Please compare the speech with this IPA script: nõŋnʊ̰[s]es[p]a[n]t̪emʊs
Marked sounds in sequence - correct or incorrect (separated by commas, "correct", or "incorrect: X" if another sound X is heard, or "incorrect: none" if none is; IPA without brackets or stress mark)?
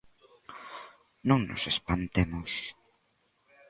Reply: correct, correct, correct